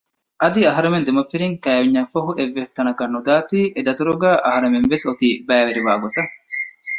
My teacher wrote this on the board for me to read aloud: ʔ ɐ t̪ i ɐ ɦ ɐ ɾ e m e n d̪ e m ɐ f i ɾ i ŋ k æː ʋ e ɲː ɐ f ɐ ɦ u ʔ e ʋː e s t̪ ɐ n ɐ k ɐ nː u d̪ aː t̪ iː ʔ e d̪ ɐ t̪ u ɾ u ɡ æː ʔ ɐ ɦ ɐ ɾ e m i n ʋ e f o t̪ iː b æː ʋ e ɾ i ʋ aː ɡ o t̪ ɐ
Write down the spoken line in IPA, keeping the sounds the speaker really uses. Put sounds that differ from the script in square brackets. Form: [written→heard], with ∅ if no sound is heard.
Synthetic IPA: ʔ ɐ [t̪→d̪] i ɐ ɦ ɐ ɾ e m e n d̪ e m ɐ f i ɾ i ŋ k æː ʋ [e→i] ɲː ɐ f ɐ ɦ u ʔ e ʋː e s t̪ ɐ n ɐ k ɐ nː u d̪ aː t̪ iː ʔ e d̪ ɐ t̪ u ɾ u ɡ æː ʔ ɐ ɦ ɐ ɾ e m [i→e] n ʋ e [f→s] o t̪ iː b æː ʋ e ɾ i ʋ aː ɡ o t̪ ɐ